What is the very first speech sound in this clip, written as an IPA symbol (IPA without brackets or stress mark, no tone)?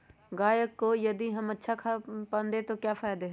ɡ